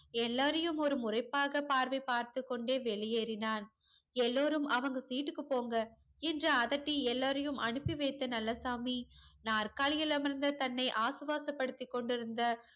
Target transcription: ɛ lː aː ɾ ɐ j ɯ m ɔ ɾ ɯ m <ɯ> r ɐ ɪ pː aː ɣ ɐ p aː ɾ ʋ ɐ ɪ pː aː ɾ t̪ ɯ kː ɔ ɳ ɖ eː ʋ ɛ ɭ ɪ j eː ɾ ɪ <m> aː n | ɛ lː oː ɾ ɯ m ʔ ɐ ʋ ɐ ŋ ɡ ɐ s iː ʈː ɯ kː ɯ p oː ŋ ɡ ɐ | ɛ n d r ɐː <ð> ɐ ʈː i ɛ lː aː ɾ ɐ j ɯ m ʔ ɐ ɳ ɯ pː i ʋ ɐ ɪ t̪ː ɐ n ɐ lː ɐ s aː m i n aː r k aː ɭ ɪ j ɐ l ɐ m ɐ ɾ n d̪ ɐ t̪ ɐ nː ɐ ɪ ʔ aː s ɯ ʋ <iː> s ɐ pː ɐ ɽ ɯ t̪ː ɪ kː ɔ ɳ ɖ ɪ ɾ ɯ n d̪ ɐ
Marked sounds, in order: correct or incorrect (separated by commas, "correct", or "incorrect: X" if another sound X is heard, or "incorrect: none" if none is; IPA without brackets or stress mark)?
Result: incorrect: ʊ, incorrect: n, correct, incorrect: aː